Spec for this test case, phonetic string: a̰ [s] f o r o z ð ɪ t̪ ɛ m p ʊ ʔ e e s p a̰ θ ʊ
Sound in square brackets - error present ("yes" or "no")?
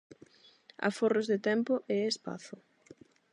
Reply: yes